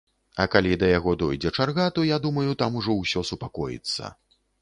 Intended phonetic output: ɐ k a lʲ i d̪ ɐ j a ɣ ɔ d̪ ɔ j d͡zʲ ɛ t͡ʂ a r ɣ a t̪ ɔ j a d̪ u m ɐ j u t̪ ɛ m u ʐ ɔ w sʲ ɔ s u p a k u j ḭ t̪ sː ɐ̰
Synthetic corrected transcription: ɐ k a lʲ i d̪ ɐ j a ɣ ɔ d̪ ɔ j d͡zʲ ɛ t͡ʂ a r ɣ a t̪ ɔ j a d̪ u m ɐ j u t̪ a m u ʐ ɔ w sʲ ɔ s u p a k ɔ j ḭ t̪ sː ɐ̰